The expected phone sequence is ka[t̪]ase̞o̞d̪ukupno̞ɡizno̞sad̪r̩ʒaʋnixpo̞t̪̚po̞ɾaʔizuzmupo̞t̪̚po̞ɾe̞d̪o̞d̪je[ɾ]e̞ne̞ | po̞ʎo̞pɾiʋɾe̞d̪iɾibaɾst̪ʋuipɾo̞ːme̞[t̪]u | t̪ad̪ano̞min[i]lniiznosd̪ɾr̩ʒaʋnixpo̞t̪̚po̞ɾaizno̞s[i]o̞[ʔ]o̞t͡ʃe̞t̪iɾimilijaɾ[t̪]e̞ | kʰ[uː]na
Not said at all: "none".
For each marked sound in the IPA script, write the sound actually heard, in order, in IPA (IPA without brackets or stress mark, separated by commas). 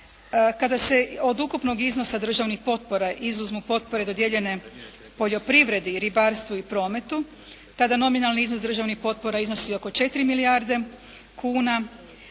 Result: d̪, ʎ, t̪, a, i, k, d̪, uː